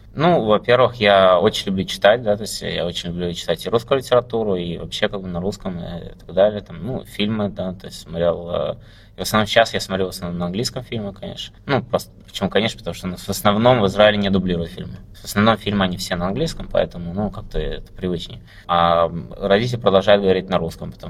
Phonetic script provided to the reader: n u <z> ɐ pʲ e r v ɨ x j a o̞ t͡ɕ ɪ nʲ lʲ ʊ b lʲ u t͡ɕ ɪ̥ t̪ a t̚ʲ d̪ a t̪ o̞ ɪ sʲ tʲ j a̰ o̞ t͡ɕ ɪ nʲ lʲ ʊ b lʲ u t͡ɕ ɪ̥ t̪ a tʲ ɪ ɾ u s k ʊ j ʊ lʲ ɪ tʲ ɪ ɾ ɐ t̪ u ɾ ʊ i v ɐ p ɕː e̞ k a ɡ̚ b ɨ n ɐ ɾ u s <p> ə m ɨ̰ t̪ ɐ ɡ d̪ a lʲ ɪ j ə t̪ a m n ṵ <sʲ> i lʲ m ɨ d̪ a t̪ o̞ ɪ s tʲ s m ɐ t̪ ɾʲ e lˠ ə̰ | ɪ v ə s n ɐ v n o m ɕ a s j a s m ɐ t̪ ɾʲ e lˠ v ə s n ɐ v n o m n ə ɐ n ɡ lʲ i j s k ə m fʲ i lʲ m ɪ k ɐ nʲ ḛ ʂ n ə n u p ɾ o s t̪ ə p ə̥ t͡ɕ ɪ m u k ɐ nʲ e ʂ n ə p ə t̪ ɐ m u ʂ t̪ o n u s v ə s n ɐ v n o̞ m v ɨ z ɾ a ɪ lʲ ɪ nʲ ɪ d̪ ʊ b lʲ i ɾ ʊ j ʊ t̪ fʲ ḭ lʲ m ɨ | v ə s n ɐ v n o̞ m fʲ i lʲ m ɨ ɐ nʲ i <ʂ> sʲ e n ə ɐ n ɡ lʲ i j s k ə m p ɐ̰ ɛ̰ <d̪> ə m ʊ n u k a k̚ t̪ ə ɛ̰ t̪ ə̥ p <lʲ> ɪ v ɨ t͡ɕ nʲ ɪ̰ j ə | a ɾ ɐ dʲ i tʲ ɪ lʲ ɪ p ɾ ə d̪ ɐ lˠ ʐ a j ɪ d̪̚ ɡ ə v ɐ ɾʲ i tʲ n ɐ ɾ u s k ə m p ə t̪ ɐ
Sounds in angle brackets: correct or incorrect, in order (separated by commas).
incorrect, incorrect, incorrect, incorrect, incorrect, incorrect